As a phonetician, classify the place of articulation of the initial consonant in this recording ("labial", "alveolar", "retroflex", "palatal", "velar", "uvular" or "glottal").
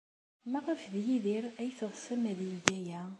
labial